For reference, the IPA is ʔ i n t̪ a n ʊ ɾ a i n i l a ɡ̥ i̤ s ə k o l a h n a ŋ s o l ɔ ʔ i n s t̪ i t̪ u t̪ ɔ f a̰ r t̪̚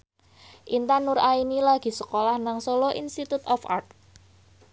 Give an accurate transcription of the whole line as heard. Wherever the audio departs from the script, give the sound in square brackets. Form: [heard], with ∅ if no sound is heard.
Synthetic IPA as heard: ʔ i n t̪ a n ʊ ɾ a i n i l a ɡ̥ i̤ s ə k o l a h n a ŋ s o l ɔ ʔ i n s t̪ i t̪ u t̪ ɔ f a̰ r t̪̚